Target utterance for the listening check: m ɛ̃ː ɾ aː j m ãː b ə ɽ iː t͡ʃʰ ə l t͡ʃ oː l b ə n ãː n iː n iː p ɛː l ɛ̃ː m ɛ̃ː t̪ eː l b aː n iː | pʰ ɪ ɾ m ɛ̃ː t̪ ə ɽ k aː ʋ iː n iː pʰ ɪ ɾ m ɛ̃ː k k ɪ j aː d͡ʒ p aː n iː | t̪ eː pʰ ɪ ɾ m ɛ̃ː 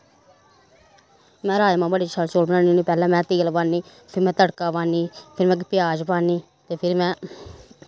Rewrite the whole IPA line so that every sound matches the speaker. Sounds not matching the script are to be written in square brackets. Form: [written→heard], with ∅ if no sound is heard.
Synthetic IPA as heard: m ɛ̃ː ɾ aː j m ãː b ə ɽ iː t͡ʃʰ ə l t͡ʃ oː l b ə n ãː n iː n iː p ɛː l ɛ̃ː m ɛ̃ː t̪ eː l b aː n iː | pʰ ɪ ɾ m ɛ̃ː t̪ ə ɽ k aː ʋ [iː→aː] n iː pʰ ɪ ɾ m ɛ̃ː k [k→p] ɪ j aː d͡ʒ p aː n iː | t̪ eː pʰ ɪ ɾ m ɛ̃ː